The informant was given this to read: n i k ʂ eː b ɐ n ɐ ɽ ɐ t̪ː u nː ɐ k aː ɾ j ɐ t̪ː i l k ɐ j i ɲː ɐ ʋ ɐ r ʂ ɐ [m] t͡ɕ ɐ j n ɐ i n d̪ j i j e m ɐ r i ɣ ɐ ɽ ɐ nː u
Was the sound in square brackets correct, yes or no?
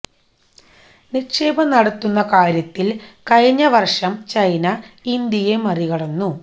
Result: yes